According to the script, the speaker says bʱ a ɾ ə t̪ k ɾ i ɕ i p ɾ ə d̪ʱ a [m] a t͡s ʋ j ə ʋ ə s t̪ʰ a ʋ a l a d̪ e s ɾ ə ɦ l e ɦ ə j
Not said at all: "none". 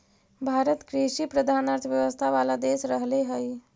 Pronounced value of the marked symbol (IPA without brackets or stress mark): n